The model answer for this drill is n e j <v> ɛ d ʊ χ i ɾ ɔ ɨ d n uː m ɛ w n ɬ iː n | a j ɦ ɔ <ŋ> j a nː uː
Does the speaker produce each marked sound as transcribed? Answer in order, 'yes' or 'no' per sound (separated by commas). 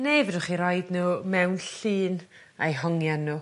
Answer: yes, yes